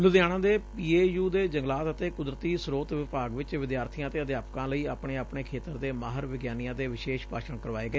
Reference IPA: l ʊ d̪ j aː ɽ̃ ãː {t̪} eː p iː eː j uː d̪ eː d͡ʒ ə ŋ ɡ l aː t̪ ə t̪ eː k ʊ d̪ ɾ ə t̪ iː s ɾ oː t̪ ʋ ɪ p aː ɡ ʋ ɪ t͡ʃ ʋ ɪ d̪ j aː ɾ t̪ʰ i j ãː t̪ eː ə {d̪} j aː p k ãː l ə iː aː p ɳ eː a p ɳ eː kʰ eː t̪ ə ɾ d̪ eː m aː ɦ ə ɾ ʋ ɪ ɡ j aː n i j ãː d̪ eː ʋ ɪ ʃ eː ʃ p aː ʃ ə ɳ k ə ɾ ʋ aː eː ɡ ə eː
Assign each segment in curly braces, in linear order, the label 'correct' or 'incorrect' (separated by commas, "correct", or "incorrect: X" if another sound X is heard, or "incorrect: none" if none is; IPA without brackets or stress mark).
incorrect: d̪, correct